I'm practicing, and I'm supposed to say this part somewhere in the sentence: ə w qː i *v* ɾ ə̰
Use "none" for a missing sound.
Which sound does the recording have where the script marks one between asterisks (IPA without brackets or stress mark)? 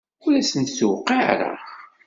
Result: ʕ